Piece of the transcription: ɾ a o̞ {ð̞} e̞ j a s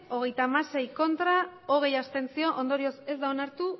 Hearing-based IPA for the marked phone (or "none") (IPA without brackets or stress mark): ɣ̞